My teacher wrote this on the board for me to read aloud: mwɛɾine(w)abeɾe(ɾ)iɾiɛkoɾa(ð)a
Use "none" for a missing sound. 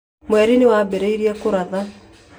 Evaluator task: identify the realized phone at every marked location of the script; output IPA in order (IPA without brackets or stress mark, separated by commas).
w, none, ð